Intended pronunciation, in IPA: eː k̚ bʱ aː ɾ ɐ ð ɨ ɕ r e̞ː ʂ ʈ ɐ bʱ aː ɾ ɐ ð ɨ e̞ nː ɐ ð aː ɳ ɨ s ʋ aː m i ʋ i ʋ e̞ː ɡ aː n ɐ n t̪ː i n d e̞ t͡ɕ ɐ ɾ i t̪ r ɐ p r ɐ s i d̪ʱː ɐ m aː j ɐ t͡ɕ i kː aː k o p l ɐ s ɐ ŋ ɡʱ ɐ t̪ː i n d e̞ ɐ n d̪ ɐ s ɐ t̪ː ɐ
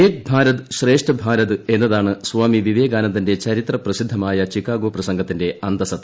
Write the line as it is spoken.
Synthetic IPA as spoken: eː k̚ bʱ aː ɾ ɐ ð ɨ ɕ r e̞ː ʂ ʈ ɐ bʱ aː ɾ ɐ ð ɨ e̞ nː ɐ ð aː ɳ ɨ s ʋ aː m i ʋ i ʋ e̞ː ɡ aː n ɐ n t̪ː i n d e̞ t͡ɕ ɐ ɾ i t̪ r ɐ p r ɐ s i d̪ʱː ɐ m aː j ɐ t͡ɕ i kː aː ɡ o p r ɐ s ɐ ŋ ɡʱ ɐ t̪ː i n d e̞ ɐ n d̪ ɐ s ɐ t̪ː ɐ